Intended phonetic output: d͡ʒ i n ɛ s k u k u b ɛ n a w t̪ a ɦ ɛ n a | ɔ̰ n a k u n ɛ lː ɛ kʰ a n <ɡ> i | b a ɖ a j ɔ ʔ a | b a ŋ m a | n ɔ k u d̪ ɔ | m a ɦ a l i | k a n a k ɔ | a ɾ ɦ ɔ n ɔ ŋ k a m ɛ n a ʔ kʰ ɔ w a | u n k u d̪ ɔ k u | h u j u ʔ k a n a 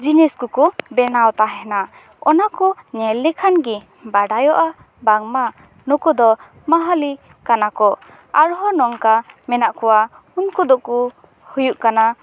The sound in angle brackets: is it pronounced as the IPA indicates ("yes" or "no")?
yes